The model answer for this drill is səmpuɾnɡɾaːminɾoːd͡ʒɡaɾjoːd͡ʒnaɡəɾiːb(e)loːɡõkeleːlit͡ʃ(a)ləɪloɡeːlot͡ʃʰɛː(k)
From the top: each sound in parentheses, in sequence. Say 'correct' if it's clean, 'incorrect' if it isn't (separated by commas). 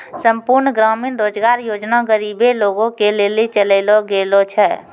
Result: correct, incorrect, incorrect